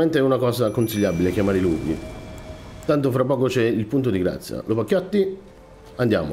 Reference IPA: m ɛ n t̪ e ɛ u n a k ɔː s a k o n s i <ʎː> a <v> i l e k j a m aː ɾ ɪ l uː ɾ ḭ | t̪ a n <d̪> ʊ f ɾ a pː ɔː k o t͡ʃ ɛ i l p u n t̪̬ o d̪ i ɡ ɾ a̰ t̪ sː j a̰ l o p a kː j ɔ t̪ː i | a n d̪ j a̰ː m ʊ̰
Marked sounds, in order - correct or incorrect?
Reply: correct, incorrect: b, incorrect: t̪

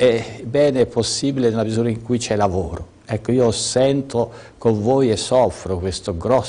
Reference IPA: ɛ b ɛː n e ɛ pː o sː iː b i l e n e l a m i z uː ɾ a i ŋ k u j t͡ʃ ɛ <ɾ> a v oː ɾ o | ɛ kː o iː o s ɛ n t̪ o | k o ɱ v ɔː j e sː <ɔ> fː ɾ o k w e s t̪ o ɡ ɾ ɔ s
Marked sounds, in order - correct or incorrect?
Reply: incorrect: l, correct

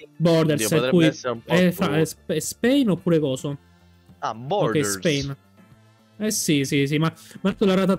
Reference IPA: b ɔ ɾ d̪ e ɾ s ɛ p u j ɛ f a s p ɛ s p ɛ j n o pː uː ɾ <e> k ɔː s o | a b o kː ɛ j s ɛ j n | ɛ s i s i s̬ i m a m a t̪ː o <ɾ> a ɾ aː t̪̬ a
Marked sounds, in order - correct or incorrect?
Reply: correct, incorrect: l

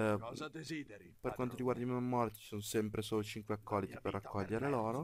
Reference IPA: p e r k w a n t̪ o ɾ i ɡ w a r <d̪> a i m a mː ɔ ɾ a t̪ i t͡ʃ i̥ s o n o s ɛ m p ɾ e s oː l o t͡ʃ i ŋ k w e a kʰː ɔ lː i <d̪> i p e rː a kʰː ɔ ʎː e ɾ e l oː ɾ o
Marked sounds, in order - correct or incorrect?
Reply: correct, incorrect: t̪

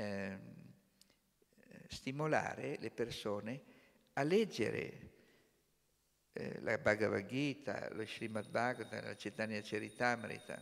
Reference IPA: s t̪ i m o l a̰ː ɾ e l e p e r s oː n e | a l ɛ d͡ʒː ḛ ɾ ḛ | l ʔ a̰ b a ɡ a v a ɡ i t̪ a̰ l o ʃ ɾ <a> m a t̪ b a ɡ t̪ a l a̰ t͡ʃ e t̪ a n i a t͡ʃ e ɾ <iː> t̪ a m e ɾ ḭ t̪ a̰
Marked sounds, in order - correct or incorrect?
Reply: incorrect: i, incorrect: i

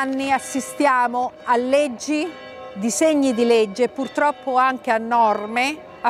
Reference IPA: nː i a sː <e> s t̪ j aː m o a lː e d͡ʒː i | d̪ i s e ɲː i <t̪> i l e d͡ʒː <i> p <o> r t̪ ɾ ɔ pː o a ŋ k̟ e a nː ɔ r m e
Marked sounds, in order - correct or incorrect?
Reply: incorrect: i, incorrect: d̪, incorrect: e, incorrect: u

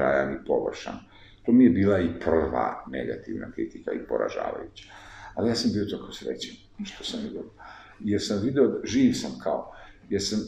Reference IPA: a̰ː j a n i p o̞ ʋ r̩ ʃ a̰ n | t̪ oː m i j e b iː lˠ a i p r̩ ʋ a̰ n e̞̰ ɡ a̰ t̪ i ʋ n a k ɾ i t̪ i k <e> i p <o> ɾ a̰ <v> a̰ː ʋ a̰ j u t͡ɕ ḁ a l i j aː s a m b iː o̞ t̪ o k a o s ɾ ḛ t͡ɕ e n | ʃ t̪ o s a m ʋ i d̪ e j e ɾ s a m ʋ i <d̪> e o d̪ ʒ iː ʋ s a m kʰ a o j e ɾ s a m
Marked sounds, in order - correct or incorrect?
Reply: incorrect: a, correct, incorrect: ʒ, correct

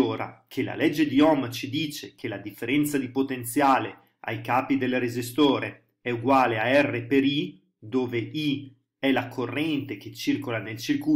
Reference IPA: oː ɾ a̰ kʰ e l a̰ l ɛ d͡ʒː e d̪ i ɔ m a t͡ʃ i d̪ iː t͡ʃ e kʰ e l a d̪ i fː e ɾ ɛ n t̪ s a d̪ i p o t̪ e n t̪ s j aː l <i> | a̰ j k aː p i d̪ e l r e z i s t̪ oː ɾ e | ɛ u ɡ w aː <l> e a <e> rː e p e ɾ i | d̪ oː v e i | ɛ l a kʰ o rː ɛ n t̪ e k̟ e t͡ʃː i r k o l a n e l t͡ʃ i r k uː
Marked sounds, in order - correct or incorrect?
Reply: incorrect: e, correct, incorrect: ɛ

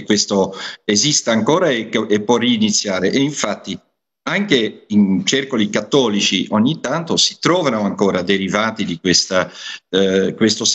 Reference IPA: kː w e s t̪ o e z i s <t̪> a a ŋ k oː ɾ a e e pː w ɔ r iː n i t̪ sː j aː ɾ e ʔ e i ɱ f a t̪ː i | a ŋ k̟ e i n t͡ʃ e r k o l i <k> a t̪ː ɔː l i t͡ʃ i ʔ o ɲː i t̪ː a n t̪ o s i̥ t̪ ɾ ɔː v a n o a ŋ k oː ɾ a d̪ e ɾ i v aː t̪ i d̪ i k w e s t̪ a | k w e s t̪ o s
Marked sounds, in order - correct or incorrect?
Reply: correct, correct

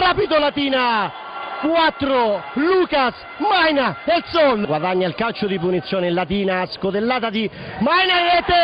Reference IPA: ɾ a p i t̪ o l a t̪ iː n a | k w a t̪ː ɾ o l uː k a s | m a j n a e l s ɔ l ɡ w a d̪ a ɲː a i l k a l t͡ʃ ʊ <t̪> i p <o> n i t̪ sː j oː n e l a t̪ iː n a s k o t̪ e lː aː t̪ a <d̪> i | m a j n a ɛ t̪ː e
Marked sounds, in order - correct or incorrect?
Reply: incorrect: d̪, incorrect: u, correct

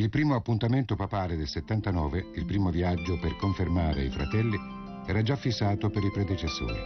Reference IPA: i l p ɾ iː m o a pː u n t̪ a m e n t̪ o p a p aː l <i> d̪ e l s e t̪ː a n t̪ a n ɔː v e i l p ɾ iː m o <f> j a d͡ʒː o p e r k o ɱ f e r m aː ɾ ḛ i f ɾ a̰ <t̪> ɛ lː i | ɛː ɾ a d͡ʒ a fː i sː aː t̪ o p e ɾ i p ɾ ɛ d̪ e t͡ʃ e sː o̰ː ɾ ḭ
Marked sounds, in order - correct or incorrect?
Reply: incorrect: e, incorrect: v, correct

